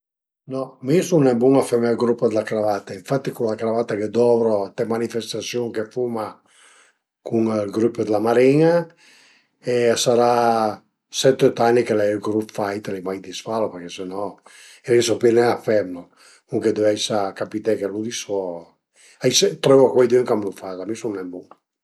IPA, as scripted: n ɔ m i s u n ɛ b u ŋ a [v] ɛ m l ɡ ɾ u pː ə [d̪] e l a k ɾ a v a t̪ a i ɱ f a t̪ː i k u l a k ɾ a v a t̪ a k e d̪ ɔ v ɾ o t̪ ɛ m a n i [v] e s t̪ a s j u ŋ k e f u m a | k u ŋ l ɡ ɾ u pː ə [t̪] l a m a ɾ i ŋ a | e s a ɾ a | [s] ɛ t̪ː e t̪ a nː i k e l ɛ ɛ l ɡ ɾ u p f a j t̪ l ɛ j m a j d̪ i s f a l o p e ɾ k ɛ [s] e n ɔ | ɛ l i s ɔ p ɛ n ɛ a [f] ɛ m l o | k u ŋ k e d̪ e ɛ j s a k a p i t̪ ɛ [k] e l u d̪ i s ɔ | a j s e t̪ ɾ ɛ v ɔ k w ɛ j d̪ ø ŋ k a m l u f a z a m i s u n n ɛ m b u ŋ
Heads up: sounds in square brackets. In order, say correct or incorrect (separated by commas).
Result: incorrect, correct, incorrect, incorrect, correct, correct, correct, correct